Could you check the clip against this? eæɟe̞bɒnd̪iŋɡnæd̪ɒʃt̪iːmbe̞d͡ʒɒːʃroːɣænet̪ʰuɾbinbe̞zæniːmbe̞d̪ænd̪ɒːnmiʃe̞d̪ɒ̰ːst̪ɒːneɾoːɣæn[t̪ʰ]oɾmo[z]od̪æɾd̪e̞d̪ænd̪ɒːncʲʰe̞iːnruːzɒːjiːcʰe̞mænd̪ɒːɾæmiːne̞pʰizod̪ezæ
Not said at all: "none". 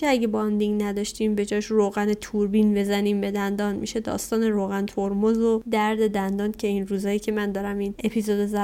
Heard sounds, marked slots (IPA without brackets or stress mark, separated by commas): t̪ʰ, z